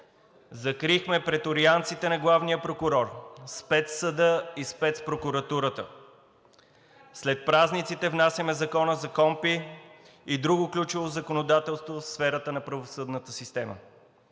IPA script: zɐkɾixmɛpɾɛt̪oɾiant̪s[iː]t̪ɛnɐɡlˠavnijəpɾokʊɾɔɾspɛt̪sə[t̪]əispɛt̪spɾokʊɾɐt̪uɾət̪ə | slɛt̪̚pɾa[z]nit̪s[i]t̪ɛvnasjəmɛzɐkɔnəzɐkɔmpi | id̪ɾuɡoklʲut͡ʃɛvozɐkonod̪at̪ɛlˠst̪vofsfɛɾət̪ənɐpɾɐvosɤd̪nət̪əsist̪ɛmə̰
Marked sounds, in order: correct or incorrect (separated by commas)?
incorrect, incorrect, correct, correct